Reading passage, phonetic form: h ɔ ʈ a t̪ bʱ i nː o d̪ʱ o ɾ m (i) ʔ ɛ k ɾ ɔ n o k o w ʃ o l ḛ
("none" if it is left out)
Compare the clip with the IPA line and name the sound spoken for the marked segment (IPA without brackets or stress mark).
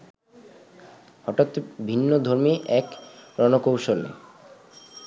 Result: i